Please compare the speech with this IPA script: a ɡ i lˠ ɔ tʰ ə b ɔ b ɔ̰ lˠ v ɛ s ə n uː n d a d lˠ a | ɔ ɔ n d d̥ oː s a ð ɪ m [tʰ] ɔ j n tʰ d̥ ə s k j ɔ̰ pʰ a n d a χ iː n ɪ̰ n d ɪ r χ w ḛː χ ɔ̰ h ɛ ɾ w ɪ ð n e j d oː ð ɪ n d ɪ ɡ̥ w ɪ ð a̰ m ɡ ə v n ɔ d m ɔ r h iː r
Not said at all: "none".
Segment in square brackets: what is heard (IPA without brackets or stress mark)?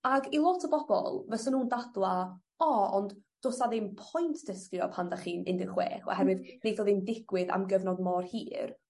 pʰ